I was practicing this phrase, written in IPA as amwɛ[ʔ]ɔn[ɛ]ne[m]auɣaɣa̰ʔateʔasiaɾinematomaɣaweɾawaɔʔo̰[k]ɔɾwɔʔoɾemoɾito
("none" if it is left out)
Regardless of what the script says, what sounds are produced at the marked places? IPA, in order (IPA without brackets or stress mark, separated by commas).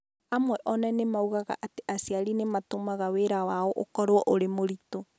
ʔ, ɛ, m, k